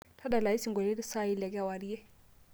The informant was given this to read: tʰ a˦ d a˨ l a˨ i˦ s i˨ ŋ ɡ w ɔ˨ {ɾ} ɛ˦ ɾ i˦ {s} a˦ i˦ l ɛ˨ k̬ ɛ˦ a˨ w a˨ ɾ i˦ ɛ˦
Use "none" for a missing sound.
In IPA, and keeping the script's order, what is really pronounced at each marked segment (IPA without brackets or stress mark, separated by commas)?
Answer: l, s